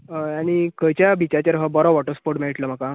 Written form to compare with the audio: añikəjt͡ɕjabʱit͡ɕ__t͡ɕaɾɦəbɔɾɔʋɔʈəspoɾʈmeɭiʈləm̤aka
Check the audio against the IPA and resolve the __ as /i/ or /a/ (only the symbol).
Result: a